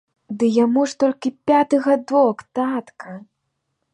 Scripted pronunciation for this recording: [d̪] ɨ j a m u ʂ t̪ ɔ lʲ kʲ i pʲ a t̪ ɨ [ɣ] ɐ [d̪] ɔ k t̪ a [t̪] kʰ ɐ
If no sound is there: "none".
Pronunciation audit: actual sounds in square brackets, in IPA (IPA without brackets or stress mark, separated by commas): d̪, ɣ, d̪, t̪